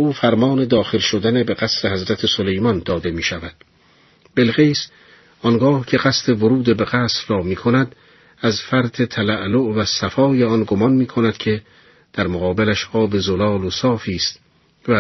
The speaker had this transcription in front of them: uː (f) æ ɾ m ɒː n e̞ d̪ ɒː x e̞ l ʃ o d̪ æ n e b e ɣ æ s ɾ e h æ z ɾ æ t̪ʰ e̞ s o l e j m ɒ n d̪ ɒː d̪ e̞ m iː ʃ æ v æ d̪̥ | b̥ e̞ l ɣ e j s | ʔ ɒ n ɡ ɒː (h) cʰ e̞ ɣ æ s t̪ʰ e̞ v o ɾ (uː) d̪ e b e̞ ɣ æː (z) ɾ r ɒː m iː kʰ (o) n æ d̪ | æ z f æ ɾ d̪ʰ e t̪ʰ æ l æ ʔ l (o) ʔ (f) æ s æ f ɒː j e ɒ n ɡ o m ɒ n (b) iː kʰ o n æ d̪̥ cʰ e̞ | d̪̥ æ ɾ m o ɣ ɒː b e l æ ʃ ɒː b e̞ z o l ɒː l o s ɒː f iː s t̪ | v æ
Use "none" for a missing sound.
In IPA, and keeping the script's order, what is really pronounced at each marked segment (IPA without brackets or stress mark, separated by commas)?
f, h, uː, s, o, o, v, m